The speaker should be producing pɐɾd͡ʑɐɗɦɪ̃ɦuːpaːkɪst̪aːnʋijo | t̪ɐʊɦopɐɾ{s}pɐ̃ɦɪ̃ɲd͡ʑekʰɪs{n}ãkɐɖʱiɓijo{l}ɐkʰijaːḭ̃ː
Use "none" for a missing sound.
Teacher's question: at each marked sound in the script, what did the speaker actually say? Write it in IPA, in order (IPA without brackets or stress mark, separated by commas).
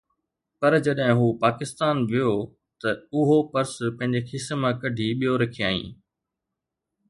s, m, ɾ